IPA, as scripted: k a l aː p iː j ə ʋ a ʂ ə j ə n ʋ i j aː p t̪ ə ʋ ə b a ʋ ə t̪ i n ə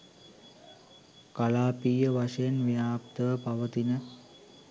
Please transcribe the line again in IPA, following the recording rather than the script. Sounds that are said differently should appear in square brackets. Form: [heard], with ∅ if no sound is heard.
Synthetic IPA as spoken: k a l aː p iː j ə ʋ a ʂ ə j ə n ʋ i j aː p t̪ ə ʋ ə [p] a ʋ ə t̪ i n ə

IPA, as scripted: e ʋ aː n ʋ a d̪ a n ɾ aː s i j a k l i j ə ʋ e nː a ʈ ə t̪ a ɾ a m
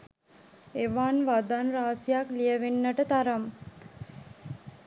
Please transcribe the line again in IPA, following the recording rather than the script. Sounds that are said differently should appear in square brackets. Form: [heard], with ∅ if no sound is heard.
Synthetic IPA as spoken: e ʋ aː n ʋ a d̪ a n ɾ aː s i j a k l i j ə ʋ e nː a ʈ ə t̪ a ɾ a m

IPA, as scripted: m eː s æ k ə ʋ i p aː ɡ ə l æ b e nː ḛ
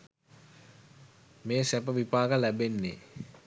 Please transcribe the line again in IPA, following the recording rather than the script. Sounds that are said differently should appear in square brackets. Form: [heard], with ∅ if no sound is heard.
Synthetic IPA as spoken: m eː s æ [p] ə ʋ i p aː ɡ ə l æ b e nː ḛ

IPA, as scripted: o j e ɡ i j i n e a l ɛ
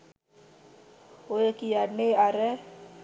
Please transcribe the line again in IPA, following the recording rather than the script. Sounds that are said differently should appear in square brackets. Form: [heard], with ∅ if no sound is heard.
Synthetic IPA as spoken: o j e [k] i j [a] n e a [ɾ] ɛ

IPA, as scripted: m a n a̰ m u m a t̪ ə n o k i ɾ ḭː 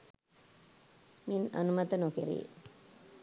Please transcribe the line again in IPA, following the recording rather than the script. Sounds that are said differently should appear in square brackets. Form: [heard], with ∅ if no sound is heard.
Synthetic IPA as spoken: m [i] n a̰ [n] u m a t̪ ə n o k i ɾ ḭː

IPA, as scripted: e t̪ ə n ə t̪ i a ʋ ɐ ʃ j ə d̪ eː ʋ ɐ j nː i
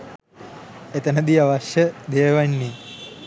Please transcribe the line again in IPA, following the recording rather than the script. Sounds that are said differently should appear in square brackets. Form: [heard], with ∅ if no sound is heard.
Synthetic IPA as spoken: e t̪ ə n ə [d̪] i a ʋ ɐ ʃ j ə d̪ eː ʋ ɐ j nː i

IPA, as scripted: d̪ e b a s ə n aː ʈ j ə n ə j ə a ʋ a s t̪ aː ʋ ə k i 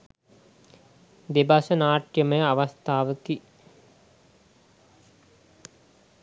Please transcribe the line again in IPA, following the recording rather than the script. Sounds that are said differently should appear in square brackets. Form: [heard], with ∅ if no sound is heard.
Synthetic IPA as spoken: d̪ e b a s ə n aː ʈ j ə [m] ə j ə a ʋ a s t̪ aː ʋ ə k i

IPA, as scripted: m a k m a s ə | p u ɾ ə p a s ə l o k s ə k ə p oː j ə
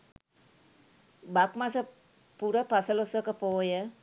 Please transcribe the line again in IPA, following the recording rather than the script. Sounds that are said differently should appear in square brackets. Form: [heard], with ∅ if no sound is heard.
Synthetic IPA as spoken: [b] a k m a s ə | p u ɾ ə p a s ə l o [∅] s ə k ə p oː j ə

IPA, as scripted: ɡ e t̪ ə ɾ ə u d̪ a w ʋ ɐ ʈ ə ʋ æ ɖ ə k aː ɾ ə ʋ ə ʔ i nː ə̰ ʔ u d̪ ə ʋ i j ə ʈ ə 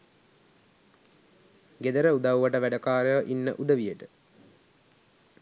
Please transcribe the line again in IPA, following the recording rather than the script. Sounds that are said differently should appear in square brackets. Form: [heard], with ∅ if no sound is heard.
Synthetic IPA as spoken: ɡ e [d̪] ə ɾ ə u d̪ a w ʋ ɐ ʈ ə ʋ æ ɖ ə k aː ɾ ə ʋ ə ʔ i nː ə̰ ʔ u d̪ ə ʋ i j ə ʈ ə

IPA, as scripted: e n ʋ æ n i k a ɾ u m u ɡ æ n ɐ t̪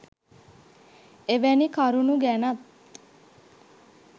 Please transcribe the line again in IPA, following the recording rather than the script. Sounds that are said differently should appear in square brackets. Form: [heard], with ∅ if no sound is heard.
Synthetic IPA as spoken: e [∅] ʋ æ n i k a ɾ u [n] u ɡ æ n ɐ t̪

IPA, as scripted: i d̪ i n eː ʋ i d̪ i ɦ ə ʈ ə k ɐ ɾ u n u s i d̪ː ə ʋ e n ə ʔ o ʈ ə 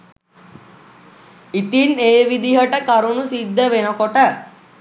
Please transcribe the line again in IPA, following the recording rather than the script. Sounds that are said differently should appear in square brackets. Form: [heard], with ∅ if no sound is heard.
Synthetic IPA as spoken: i [t̪] i n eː ʋ i d̪ i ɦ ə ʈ ə k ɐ ɾ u n u s i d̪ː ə ʋ e n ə [k] o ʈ ə

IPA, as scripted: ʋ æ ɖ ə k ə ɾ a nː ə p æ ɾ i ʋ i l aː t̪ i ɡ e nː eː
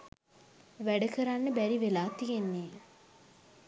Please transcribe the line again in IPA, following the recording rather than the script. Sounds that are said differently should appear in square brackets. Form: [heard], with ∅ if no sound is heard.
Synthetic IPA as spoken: ʋ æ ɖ ə k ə ɾ a nː ə [b] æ ɾ i ʋ [e] l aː t̪ i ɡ e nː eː

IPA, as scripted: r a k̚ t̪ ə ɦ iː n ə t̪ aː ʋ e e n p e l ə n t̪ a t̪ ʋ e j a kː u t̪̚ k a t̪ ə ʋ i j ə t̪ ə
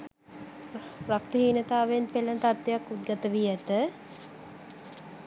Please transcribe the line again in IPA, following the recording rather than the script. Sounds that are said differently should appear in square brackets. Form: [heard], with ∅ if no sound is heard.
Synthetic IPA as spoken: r a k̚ t̪ ə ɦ iː n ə t̪ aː ʋ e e n p e l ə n t̪ a t̪ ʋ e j a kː u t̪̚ [ɡ] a t̪ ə ʋ i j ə t̪ ə

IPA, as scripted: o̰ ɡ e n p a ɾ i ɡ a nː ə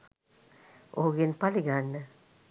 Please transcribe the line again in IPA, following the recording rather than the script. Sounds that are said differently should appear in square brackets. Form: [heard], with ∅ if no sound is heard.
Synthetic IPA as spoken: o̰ ɡ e n p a [l] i ɡ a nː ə

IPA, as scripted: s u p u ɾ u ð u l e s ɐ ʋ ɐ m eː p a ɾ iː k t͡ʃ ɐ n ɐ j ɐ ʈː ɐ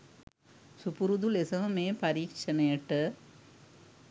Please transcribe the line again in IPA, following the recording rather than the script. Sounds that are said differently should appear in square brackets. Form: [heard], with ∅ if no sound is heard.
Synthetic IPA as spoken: s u p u ɾ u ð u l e s ɐ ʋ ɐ m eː p [ɐ] ɾ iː k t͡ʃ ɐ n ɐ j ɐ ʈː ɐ

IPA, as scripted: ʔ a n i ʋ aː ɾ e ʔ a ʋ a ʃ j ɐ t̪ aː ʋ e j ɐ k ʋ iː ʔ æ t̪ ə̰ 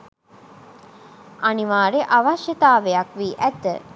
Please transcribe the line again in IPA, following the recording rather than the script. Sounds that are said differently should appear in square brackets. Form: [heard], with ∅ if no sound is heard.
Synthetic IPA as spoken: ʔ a n i ʋ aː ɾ e ʔ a ʋ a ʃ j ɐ t̪ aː ʋ e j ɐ k ʋ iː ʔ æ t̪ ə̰

